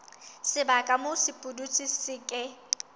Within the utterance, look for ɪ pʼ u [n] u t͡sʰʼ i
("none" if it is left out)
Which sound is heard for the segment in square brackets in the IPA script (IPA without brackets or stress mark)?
d